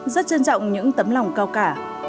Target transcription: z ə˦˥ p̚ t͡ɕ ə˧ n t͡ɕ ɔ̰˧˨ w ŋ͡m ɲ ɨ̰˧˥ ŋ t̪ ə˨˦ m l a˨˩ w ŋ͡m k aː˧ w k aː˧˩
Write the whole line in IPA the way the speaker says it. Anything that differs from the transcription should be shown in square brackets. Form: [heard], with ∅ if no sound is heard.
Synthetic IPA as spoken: z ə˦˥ [t̚] t͡ɕ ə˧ n t͡ɕ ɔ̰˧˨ w ŋ͡m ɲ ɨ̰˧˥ ŋ t̪ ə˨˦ m l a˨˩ w ŋ͡m k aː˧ w k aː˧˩